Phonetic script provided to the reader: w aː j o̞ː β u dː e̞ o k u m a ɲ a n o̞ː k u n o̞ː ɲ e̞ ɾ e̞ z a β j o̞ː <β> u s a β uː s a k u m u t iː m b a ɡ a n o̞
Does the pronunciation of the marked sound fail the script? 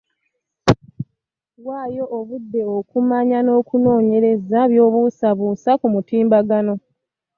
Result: no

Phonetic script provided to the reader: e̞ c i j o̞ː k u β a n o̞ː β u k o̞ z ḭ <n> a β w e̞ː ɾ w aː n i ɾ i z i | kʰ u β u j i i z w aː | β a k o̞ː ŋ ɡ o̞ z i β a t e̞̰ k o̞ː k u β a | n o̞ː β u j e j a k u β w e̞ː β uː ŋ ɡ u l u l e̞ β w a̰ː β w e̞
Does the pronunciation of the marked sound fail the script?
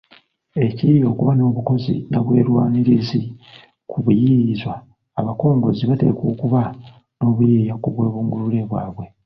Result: no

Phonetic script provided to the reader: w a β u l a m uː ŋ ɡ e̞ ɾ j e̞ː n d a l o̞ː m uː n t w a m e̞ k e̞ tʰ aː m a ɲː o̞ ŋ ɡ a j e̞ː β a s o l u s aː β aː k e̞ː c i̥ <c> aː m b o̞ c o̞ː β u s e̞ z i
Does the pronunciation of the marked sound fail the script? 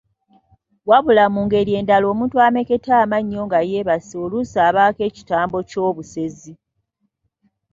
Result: yes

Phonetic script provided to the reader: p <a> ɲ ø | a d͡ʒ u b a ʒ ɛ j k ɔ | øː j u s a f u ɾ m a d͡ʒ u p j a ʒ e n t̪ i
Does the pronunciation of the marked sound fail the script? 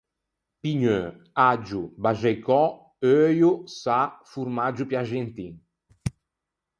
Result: yes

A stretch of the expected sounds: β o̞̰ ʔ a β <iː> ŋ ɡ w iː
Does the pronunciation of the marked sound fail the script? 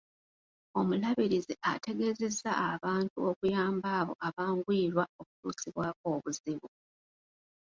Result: yes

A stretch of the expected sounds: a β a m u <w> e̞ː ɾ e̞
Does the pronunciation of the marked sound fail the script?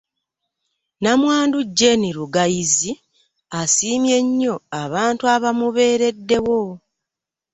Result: yes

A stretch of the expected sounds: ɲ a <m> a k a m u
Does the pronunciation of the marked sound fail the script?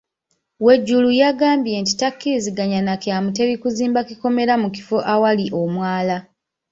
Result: yes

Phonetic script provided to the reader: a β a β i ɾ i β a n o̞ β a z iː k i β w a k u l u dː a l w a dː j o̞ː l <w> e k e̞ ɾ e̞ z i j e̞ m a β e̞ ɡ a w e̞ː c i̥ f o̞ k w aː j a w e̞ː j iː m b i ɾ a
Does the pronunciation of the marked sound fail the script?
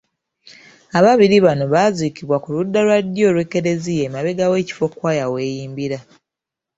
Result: no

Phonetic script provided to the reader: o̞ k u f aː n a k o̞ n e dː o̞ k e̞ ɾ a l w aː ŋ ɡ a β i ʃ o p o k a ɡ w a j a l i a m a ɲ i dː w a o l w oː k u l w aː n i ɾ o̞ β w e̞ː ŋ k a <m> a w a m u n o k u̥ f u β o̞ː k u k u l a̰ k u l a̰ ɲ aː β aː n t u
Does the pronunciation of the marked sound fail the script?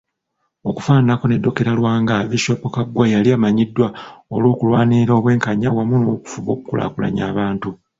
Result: yes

